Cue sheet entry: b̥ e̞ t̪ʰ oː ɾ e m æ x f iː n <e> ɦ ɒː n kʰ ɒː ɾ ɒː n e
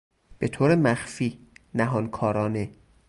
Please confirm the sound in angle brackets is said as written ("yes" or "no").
no